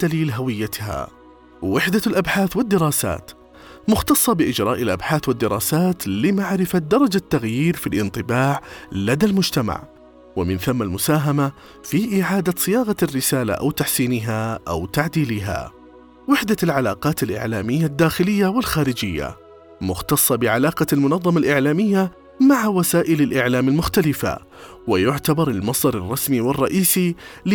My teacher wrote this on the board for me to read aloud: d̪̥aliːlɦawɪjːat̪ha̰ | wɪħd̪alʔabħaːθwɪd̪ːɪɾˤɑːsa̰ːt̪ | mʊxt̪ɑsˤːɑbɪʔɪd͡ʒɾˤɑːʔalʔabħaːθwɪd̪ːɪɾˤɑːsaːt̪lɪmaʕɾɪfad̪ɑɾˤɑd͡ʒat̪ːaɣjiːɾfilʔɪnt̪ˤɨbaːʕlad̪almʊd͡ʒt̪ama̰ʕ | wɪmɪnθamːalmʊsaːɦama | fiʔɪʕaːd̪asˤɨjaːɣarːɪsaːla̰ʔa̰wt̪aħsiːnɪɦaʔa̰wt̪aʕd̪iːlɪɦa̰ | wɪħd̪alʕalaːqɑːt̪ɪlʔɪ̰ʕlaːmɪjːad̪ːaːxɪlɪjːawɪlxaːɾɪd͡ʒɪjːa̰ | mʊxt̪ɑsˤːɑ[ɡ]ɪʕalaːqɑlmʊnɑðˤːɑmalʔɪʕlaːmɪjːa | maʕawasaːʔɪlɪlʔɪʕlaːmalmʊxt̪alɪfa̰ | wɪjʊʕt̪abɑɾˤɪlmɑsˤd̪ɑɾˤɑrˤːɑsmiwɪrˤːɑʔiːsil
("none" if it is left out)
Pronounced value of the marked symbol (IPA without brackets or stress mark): b